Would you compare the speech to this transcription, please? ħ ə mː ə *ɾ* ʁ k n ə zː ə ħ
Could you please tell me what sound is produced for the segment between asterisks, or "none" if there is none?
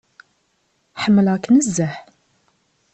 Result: l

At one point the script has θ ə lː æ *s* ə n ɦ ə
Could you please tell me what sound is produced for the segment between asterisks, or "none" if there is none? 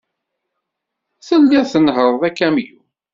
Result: θ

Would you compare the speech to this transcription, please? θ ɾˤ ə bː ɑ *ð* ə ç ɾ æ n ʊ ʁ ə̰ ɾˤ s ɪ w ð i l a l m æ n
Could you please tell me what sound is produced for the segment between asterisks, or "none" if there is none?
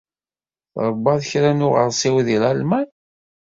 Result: ð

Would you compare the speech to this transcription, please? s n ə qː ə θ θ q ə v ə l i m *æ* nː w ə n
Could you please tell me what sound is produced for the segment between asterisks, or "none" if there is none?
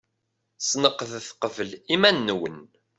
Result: æ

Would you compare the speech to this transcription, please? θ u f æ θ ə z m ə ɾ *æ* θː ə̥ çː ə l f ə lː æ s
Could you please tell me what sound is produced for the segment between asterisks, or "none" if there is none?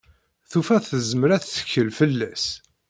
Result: æ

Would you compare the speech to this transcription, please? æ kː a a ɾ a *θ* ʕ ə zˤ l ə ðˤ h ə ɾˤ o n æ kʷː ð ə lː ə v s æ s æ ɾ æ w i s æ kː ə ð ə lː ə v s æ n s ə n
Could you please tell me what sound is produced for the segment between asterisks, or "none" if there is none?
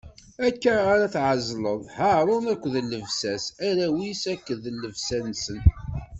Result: θ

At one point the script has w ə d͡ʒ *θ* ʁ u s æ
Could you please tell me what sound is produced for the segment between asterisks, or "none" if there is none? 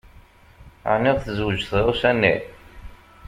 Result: θ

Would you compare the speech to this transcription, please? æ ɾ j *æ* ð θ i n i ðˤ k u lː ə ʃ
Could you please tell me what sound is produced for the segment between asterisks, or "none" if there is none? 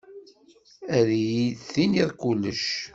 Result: i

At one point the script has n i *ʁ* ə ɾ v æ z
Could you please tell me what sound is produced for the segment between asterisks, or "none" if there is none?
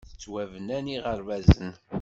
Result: ʁ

